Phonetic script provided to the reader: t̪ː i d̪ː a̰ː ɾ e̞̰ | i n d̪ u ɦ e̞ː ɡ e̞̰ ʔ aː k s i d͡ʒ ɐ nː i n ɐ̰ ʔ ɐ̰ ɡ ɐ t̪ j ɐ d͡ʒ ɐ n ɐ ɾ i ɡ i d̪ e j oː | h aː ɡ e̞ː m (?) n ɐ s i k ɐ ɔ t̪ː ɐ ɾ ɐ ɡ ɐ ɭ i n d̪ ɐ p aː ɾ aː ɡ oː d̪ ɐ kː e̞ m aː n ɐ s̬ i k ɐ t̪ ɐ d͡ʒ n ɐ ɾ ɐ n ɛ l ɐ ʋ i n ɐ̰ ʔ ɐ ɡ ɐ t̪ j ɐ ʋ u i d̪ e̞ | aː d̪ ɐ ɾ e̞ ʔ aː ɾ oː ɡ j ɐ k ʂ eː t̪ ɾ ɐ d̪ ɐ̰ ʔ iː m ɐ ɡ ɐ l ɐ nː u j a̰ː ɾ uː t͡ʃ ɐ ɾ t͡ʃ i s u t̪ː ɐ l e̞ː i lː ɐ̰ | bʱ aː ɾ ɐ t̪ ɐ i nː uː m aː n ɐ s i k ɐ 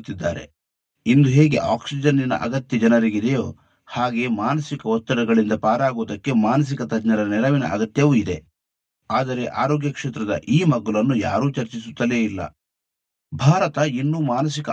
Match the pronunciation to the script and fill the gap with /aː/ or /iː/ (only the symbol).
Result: aː